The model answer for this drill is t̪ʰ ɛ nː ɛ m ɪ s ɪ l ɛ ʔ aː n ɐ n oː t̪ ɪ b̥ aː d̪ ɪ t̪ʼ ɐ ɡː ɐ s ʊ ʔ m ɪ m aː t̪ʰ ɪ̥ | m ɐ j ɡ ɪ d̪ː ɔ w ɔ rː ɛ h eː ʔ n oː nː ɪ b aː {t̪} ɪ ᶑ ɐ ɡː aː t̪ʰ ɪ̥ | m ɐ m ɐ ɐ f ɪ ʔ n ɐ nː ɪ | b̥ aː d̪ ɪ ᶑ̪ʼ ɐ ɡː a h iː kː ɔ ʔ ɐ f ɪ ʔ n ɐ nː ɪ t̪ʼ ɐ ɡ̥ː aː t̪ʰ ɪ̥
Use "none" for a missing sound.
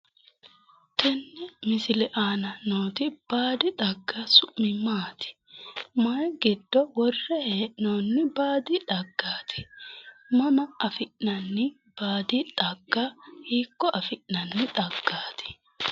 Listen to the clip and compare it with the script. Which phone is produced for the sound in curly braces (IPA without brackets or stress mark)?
d̪